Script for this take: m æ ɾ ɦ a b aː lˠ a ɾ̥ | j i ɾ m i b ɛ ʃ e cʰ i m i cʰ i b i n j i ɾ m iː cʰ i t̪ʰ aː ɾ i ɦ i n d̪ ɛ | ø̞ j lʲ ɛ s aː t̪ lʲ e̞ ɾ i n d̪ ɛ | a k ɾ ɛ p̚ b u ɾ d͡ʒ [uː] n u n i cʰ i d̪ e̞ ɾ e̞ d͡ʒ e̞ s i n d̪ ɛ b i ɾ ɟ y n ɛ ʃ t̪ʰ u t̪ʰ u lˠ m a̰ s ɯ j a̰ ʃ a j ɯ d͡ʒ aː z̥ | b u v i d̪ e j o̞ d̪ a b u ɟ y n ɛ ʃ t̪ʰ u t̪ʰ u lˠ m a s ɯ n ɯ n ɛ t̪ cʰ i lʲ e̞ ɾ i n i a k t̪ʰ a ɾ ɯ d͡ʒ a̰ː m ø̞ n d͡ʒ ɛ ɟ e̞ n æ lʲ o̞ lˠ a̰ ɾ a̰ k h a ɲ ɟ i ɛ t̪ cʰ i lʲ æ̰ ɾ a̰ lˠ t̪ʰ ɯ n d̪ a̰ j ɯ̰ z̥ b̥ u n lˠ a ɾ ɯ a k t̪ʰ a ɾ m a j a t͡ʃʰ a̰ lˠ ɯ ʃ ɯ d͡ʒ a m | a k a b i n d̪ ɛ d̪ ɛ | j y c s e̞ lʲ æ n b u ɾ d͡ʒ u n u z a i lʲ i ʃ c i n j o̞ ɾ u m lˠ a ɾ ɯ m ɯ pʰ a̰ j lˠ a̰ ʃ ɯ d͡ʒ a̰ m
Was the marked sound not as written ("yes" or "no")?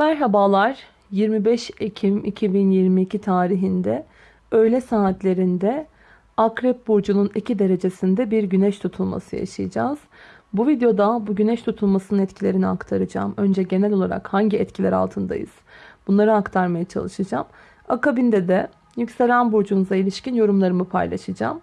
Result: yes